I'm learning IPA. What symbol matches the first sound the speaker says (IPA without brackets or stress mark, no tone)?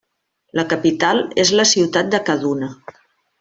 l